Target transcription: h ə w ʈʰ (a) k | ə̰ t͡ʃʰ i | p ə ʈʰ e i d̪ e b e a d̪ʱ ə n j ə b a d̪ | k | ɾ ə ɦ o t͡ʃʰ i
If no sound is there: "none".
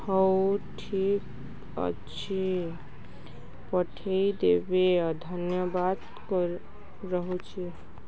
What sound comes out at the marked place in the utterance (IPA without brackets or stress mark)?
i